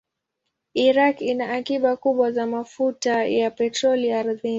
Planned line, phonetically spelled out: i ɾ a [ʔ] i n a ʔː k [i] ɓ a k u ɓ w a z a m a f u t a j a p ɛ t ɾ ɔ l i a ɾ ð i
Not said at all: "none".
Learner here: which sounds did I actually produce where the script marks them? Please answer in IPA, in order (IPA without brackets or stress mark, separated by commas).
k, i